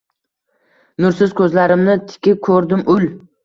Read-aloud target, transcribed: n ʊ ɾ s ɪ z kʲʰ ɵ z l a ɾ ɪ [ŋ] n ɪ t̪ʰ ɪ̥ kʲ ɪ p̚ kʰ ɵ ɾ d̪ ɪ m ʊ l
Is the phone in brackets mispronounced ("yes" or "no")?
yes